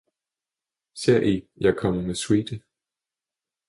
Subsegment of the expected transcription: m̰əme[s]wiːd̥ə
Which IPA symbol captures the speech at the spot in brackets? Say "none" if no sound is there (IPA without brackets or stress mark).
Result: s